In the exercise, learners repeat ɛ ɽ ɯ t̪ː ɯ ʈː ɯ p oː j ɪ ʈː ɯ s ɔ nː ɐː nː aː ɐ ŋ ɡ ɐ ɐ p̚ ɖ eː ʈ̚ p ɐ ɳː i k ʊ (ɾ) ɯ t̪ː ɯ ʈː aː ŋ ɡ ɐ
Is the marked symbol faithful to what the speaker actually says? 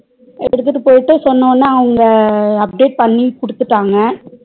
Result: no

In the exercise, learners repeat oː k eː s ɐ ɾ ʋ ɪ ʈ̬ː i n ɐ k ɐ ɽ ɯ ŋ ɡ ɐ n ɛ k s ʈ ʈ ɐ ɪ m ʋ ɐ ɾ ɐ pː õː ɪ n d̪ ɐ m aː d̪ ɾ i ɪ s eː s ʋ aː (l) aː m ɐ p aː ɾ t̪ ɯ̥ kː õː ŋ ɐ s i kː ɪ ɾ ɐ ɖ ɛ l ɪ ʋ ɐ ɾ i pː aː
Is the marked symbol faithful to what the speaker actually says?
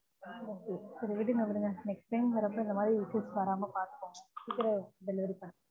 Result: no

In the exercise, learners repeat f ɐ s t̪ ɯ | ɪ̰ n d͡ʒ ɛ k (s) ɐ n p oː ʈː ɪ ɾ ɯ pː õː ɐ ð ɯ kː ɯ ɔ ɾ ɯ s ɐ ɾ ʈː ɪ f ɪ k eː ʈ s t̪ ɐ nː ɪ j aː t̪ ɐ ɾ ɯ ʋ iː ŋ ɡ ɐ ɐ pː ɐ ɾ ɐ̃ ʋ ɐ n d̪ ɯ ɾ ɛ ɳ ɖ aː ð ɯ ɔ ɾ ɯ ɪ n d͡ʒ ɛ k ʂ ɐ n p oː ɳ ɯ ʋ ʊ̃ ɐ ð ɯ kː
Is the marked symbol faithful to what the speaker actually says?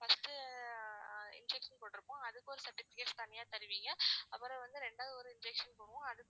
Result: no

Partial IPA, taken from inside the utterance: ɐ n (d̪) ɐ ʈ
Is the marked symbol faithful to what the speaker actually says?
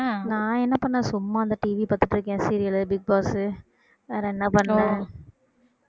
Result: yes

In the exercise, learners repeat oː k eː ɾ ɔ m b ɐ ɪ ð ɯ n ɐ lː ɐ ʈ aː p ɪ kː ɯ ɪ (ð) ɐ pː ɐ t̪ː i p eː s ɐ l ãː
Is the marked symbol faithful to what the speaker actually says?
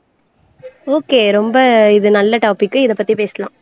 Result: yes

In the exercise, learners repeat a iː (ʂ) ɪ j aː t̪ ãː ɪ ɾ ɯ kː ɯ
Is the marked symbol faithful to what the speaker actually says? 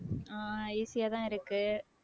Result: no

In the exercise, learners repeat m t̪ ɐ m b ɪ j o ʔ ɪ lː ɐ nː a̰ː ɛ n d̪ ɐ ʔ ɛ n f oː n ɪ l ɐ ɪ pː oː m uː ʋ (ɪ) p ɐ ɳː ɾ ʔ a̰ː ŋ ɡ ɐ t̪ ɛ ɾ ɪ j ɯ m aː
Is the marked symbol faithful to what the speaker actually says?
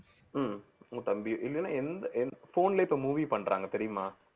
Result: no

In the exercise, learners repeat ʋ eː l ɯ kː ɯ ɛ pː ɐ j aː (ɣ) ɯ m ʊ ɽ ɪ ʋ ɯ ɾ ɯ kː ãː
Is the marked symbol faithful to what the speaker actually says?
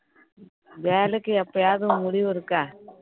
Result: no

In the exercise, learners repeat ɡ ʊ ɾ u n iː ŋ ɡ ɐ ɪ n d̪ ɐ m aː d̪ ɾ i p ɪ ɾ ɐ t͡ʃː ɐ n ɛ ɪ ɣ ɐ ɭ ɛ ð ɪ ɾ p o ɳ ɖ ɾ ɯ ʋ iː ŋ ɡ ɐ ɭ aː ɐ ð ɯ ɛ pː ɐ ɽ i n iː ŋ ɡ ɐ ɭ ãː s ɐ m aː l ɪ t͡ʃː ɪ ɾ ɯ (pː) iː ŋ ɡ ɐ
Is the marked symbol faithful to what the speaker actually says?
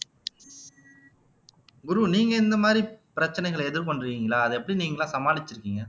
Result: no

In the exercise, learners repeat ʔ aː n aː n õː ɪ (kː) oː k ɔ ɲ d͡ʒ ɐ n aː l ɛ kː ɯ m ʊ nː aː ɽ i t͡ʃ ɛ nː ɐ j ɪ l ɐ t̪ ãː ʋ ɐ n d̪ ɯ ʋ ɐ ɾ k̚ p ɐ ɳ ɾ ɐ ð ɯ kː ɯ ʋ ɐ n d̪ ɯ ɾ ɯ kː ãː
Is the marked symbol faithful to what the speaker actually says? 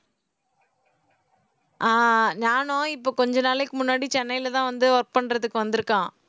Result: no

